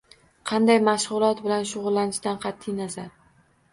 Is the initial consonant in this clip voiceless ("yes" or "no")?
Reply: yes